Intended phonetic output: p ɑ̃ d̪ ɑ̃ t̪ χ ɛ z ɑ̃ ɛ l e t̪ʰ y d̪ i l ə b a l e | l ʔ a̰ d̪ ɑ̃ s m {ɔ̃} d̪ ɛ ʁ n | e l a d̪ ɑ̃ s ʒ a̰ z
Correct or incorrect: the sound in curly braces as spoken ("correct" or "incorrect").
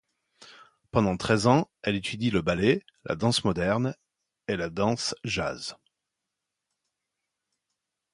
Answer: incorrect